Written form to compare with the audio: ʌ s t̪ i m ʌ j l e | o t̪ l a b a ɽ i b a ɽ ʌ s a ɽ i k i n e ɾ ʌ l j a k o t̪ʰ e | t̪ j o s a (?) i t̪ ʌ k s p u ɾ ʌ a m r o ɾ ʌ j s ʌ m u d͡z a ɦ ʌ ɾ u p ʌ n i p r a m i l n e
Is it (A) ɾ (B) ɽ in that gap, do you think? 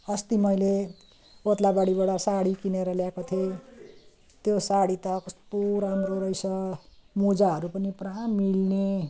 B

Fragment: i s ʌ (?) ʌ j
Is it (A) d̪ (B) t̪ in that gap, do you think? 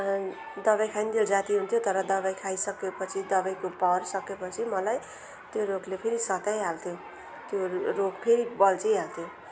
B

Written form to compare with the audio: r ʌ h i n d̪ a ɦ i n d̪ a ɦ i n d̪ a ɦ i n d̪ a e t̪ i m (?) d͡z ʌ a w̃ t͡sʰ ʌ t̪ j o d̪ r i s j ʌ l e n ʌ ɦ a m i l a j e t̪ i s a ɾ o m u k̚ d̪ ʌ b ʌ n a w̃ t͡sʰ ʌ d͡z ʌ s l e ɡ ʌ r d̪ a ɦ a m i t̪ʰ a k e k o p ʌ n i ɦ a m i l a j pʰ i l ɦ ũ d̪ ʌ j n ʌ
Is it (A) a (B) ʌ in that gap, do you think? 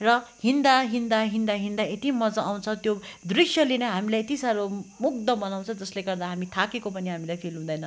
B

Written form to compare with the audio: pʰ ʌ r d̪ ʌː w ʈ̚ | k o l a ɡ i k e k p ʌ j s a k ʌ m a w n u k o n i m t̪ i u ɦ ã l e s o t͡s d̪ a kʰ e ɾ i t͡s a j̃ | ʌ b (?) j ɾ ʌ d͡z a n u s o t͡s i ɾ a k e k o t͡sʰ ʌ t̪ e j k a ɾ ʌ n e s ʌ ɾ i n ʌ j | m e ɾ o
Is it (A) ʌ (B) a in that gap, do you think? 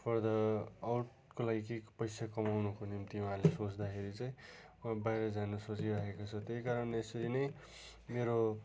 B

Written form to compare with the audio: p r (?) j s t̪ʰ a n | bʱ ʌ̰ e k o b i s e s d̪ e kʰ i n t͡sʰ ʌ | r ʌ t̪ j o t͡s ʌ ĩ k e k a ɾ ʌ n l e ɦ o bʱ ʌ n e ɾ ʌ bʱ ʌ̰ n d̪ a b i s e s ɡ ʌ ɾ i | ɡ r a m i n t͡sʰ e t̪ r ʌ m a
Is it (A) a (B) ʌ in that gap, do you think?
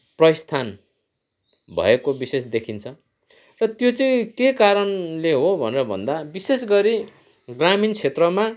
B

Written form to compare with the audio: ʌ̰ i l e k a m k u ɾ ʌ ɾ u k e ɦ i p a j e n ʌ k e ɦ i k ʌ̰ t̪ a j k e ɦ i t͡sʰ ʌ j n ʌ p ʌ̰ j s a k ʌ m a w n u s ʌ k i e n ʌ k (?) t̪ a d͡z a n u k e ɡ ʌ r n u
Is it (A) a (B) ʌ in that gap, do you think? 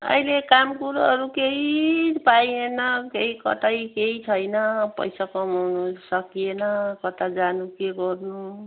B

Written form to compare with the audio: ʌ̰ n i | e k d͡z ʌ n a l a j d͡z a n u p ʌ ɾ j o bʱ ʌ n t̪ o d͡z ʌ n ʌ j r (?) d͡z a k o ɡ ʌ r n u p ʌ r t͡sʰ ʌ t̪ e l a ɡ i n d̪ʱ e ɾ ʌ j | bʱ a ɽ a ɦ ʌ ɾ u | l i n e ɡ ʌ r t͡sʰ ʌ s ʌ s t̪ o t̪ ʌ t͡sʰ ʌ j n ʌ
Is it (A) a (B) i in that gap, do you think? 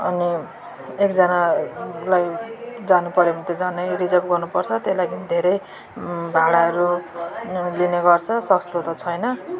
B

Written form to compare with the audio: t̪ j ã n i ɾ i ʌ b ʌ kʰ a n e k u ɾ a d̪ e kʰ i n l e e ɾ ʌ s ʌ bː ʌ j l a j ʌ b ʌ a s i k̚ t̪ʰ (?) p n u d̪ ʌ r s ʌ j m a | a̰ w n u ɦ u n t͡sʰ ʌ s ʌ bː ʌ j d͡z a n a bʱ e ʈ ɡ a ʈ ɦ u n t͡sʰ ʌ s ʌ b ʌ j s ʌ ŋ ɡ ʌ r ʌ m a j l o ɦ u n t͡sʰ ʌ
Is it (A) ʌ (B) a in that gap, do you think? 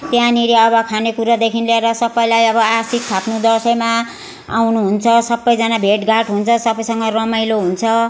B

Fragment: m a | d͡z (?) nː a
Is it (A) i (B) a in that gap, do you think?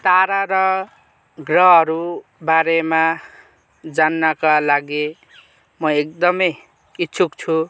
B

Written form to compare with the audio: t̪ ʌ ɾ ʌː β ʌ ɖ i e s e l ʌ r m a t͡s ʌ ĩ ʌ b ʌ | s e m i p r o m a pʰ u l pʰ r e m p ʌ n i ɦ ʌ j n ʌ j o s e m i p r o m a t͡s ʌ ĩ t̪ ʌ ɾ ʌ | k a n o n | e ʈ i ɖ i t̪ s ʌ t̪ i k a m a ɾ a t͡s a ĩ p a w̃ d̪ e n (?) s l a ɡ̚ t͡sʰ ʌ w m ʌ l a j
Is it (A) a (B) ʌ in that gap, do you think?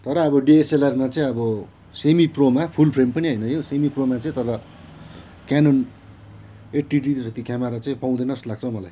B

